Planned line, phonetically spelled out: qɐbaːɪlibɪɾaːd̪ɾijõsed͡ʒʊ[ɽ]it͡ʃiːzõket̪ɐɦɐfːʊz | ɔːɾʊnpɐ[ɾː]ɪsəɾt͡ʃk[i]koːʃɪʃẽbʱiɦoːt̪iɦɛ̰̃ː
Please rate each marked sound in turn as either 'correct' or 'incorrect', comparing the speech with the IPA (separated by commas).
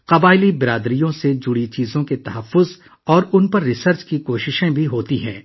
correct, correct, correct